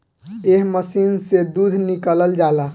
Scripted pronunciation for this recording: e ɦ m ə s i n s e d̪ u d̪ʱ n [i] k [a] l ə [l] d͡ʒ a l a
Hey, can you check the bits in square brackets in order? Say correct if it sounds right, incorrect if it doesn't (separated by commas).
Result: correct, incorrect, correct